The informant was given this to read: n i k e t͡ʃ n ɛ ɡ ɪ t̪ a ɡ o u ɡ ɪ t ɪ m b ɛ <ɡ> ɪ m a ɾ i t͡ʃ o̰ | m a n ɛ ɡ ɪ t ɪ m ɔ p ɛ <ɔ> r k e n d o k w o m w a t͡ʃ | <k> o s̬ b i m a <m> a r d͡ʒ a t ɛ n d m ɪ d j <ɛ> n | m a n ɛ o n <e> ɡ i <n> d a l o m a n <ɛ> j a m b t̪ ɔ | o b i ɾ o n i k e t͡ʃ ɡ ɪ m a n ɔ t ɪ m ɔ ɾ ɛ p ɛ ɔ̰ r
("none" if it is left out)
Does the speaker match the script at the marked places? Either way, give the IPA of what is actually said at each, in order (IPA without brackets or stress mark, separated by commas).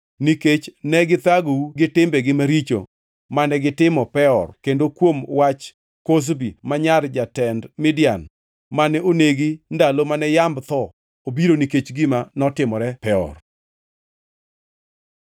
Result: ɡ, ɔ, k, ɲ, a, e, n, ɛ